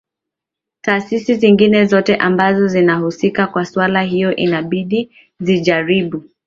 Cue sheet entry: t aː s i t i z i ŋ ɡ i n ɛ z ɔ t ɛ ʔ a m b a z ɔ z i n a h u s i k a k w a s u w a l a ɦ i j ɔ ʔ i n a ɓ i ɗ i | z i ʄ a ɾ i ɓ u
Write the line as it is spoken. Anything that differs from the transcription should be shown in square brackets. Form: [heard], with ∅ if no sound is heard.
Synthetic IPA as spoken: t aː s i [s] i z i ŋ ɡ i n ɛ z ɔ t ɛ ʔ a m b a z ɔ z i n a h u s i k a k w a s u w a l a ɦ i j ɔ ʔ i n a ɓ i ɗ i | z i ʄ a ɾ i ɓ u